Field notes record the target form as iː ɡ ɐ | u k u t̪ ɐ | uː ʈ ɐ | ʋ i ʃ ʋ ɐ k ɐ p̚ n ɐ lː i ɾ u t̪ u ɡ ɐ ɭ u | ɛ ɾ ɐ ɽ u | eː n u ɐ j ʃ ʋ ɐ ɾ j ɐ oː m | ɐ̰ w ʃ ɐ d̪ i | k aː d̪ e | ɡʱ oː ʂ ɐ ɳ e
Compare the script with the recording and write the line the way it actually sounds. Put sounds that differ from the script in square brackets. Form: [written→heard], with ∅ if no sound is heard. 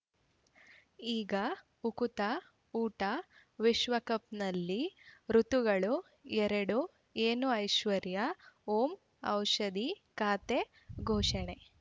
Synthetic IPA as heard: iː ɡ ɐ | u k u t̪ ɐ | uː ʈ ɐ | ʋ i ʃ ʋ ɐ k ɐ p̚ n ɐ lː i ɾ u t̪ u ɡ ɐ ɭ u | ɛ ɾ ɐ ɽ u | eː n u ɐ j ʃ ʋ ɐ ɾ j ɐ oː m | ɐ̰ w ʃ ɐ d̪ i | k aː [d̪→t̪] e | ɡʱ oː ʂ ɐ ɳ e